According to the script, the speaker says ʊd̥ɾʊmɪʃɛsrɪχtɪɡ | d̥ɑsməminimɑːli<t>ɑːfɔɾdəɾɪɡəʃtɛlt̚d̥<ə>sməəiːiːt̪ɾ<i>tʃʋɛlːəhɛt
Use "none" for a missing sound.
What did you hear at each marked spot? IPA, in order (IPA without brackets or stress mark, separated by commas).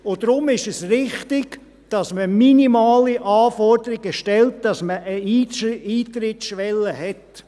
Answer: ʔ, ɑ, ɪ